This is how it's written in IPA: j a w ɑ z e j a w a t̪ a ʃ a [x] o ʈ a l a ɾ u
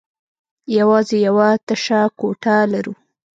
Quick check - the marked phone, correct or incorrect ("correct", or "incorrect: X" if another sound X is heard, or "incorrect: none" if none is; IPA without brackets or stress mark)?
incorrect: k